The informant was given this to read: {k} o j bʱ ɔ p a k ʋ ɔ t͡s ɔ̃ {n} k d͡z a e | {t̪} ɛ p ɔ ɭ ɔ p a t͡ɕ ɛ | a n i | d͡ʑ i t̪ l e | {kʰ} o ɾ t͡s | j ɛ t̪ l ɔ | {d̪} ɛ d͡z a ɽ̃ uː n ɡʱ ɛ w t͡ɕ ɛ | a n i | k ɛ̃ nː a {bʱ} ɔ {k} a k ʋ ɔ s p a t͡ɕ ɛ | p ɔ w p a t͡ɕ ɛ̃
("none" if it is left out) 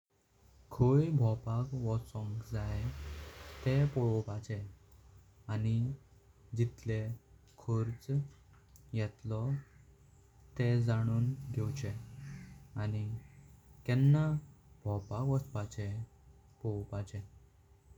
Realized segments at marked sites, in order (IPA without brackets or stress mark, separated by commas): kʰ, ŋ, t̪, kʰ, t̪, bʱ, p